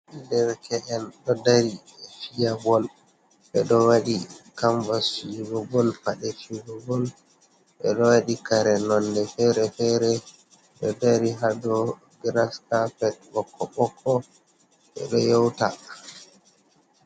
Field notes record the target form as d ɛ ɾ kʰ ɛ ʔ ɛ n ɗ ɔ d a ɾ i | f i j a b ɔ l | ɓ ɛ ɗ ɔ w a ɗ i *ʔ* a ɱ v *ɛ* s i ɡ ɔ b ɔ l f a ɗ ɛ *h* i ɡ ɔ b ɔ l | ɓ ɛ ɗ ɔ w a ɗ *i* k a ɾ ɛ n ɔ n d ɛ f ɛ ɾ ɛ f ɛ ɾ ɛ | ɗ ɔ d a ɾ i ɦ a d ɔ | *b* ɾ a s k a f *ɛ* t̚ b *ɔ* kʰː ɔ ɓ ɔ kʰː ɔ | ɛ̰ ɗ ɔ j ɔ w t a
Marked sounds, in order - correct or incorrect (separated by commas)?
incorrect, incorrect, incorrect, correct, incorrect, correct, correct